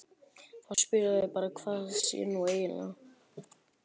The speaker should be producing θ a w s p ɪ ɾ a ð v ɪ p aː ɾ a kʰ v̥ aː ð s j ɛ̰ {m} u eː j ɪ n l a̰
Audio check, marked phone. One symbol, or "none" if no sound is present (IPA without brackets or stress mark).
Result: n